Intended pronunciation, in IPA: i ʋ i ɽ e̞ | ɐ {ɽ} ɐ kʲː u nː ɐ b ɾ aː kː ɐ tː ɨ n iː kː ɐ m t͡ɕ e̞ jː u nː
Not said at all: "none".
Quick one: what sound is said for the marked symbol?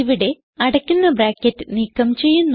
ɽ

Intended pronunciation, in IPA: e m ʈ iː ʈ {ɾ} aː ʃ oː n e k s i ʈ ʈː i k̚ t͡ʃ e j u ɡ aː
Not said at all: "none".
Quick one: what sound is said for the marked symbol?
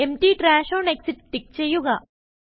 ɾ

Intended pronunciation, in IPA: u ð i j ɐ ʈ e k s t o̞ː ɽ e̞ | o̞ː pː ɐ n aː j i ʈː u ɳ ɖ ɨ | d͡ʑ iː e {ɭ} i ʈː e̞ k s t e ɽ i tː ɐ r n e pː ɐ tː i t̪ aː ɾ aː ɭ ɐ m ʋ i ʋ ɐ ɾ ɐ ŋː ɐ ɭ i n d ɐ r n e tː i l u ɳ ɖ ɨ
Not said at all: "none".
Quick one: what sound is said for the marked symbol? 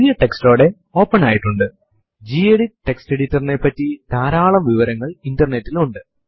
ɽ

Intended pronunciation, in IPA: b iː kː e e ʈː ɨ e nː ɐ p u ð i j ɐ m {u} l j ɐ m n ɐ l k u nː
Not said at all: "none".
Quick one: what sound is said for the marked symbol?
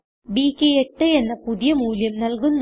uː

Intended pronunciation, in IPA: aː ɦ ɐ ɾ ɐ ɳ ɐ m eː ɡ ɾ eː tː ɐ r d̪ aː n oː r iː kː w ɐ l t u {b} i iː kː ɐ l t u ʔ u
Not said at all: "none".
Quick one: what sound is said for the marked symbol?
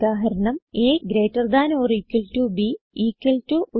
b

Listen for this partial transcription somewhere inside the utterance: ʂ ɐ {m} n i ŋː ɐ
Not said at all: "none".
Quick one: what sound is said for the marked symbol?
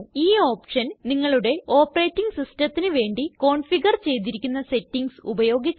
n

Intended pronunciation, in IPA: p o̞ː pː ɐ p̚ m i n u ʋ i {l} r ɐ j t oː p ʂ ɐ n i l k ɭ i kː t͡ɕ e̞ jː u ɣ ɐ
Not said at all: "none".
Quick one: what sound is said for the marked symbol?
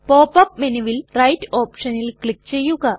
l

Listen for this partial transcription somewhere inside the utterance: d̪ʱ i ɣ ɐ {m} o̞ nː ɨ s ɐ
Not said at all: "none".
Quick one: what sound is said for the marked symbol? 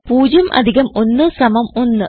m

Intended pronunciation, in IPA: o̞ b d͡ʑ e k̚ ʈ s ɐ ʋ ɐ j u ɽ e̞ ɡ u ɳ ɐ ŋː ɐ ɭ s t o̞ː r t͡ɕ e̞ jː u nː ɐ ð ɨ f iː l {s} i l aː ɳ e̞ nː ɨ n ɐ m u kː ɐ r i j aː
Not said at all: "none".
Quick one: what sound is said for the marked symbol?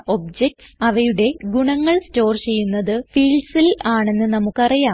s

